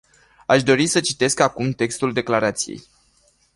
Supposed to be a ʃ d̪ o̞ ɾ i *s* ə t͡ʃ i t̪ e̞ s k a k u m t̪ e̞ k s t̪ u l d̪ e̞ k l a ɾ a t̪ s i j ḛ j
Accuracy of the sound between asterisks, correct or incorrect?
correct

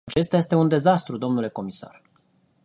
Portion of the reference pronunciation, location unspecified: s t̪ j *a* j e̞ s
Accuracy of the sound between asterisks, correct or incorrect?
correct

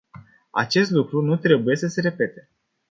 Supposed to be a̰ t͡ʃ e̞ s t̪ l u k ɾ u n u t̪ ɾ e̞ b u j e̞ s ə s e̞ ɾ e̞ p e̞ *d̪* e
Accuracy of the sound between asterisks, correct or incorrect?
incorrect: t̪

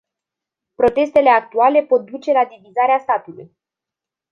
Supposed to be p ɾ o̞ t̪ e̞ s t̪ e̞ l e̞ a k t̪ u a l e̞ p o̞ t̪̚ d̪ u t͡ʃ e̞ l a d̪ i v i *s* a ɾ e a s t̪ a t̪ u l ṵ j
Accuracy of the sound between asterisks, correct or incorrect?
incorrect: z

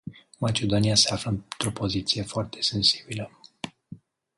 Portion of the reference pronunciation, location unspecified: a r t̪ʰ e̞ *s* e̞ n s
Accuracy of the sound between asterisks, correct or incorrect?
correct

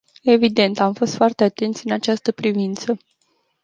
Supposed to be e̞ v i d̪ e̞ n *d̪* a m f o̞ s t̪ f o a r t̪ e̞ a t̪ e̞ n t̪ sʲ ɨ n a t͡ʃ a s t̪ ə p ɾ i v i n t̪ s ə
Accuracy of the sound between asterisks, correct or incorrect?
incorrect: t̪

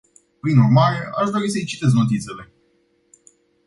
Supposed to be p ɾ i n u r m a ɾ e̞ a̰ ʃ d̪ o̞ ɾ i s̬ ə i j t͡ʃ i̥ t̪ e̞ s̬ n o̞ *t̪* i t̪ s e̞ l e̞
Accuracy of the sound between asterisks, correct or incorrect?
correct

